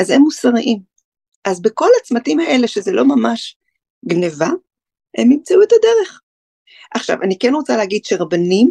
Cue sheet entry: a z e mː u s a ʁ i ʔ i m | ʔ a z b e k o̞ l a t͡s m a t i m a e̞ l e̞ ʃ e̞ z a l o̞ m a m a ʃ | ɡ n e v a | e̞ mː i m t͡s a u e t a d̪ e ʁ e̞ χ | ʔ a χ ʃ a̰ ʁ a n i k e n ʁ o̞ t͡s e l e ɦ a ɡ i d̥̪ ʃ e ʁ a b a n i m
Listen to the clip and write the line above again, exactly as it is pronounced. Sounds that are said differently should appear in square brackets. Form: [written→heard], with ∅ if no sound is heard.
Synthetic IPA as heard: a z e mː u s a ʁ i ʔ i m | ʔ a z b e k o̞ l a t͡s m a t i m a e̞ l e̞ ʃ e̞ z [a→e] l o̞ m a m a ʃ | ɡ n e v a | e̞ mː i m t͡s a u e t a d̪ e ʁ e̞ χ | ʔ a χ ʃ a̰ [ʁ→v] a n i k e n ʁ o̞ t͡s [e→a] l e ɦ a ɡ i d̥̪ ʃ e ʁ a b a n i m